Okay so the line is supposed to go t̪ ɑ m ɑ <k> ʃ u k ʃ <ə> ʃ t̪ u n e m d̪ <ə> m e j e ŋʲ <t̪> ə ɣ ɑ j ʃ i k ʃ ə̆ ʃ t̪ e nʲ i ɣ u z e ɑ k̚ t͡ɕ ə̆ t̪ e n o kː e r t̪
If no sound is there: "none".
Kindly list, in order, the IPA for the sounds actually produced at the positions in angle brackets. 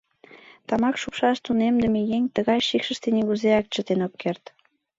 k, ɑ, ə, t̪

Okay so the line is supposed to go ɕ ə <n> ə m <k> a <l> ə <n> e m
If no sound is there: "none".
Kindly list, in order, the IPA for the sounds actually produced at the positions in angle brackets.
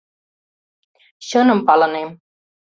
n, p, l, n

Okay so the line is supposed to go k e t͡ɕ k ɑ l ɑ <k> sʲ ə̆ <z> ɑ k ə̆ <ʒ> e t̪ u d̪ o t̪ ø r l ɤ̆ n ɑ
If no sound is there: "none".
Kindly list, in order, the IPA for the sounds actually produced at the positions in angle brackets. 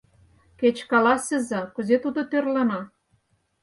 none, z, z

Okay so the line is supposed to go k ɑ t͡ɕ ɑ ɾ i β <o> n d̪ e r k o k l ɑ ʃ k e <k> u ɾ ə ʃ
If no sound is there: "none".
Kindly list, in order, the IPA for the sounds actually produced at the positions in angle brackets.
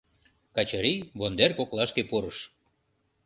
o, p

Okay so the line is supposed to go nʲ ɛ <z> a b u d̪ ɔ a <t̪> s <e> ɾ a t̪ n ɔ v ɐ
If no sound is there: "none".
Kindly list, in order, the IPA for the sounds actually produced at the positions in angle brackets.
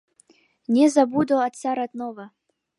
z, t̪, a

